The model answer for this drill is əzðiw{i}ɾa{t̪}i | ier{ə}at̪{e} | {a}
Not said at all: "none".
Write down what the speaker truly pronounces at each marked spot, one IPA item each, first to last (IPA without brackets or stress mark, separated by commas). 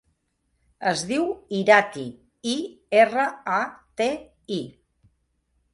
i, t̪, ə, e, i